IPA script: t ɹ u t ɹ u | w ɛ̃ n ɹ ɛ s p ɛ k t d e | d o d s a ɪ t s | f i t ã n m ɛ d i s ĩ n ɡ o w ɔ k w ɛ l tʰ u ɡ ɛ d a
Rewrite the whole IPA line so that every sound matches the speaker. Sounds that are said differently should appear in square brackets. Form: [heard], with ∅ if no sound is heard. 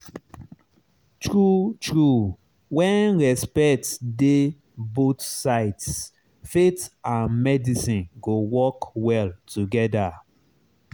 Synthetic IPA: t ɹ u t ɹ u | w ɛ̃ n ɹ ɛ s p ɛ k t d e | [b] o [t] s a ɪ t s | f [e] t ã n m ɛ d i s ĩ n ɡ o w ɔ k w ɛ l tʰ u ɡ ɛ d a